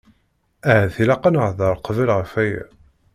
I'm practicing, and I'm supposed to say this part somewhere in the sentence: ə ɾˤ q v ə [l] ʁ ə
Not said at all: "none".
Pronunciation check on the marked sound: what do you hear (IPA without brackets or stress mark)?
l